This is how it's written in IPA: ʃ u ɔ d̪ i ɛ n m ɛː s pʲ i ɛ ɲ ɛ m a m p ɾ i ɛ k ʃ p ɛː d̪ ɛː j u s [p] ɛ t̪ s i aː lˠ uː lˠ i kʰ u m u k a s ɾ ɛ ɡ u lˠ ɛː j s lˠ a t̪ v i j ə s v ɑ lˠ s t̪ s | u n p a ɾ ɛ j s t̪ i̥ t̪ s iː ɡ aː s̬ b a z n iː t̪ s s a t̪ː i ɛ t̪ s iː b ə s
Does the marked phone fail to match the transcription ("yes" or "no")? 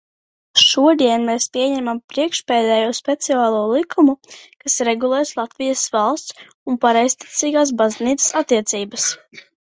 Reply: no